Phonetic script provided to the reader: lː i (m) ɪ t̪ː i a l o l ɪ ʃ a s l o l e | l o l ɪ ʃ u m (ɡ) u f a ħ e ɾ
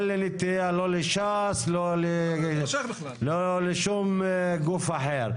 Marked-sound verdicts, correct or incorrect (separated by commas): incorrect, correct